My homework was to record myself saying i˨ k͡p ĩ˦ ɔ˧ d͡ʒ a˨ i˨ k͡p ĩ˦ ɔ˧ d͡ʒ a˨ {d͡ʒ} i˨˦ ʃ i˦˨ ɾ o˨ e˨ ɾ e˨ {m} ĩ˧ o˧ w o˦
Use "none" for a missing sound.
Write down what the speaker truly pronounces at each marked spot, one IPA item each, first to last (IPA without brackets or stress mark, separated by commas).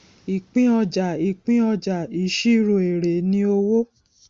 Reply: none, n